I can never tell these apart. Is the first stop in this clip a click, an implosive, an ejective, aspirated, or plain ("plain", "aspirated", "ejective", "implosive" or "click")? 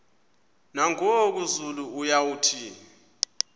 plain